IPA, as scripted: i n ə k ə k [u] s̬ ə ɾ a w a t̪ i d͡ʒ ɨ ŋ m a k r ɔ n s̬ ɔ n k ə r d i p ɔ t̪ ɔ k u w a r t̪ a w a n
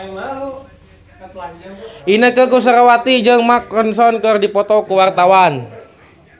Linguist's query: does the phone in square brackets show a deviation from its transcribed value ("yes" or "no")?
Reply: no